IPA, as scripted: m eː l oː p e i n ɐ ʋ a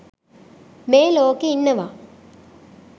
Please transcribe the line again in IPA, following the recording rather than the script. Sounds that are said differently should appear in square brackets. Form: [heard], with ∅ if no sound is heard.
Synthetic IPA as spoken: m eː l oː [k] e i [nː] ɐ ʋ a

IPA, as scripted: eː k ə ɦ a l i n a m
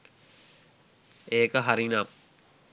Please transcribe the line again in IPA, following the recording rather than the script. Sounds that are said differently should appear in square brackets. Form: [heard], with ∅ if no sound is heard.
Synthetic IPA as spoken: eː k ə ɦ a [ɾ] i n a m

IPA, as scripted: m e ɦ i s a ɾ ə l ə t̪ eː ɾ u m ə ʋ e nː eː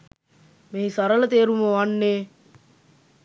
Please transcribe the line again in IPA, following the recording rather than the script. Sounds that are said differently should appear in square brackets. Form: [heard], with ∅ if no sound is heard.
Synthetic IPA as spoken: m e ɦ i s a ɾ ə l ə t̪ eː ɾ u m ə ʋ [a] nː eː

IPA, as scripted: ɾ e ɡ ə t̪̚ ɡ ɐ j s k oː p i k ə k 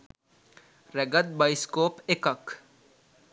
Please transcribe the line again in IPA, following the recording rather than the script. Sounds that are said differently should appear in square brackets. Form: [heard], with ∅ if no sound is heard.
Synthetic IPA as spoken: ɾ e ɡ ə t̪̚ [b] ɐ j s k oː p [e] k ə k

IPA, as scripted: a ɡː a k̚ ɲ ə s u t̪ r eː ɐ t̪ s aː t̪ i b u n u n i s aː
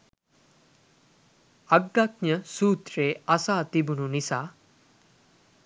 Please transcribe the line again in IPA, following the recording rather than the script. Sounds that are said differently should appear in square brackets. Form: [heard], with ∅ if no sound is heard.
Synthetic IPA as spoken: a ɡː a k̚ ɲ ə s [uː] t̪ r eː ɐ [∅] s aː t̪ i b u n u n i s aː

